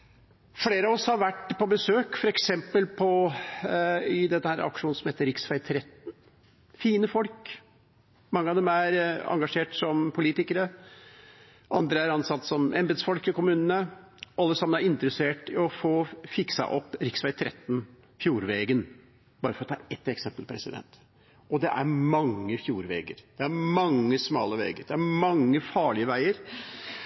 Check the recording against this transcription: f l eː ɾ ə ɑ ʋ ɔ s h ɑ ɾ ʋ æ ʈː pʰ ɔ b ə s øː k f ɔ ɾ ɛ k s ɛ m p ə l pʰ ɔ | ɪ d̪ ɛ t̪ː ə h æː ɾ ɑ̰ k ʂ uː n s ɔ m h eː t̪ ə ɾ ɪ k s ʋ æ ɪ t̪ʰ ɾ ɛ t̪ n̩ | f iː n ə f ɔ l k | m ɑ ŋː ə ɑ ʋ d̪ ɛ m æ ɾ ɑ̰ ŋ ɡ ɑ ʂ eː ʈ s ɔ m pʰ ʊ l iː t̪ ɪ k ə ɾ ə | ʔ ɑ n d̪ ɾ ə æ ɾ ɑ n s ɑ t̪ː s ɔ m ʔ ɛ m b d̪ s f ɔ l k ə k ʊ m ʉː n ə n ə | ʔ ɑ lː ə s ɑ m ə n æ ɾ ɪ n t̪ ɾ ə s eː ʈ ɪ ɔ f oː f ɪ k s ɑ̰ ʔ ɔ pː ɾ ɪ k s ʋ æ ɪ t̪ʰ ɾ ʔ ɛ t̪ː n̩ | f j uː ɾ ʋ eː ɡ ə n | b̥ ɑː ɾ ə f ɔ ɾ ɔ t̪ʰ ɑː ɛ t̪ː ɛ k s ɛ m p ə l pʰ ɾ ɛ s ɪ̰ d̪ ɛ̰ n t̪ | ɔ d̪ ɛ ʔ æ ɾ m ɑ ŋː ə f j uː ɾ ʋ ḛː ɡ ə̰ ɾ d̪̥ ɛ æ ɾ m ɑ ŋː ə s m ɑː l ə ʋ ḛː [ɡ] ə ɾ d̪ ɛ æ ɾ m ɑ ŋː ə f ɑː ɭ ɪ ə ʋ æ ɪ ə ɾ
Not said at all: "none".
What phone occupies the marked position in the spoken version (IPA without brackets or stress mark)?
ɡ